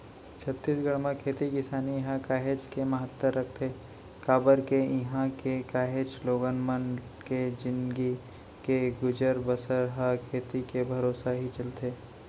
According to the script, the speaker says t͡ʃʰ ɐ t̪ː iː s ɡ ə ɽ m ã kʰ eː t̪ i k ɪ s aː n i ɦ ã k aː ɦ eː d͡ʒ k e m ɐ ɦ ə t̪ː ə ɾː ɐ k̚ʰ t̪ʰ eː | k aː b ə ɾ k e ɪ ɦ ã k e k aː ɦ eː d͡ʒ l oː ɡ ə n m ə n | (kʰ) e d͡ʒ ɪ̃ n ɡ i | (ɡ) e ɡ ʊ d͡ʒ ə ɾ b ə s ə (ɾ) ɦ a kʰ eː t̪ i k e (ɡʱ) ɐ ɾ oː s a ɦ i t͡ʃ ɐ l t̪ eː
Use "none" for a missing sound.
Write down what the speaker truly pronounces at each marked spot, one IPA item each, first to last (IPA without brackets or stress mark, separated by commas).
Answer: k, k, ɾ, bʱ